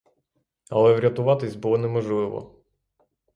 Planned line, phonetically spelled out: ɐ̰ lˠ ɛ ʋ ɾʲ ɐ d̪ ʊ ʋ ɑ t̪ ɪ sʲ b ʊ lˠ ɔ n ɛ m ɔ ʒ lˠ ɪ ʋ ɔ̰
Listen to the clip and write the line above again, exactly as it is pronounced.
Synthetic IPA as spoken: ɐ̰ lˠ ɛ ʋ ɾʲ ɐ t̪ ʊ ʋ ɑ t̪ ɪ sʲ b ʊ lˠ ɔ n ɛ m ɔ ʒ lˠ ɪ ʋ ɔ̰